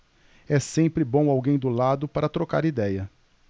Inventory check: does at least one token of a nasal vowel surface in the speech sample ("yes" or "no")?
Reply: yes